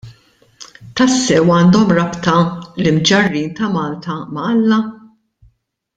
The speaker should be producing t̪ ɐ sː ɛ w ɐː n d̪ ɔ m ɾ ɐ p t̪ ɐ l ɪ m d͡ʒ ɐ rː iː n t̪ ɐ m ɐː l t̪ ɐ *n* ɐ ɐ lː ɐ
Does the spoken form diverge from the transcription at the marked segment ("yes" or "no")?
yes